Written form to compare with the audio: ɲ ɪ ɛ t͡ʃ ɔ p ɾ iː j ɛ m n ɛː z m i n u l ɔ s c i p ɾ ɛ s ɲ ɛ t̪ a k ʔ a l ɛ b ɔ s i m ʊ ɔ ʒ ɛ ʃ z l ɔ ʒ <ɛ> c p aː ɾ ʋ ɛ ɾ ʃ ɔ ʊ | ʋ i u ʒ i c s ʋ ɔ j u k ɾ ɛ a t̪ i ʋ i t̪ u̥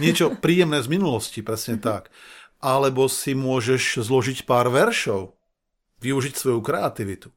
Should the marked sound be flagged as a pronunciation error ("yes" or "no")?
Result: yes